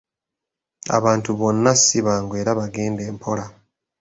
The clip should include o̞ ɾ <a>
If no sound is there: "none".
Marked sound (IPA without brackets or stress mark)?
a